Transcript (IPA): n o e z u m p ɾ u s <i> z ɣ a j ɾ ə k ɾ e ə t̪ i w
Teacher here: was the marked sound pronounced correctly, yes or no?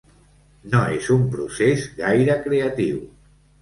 no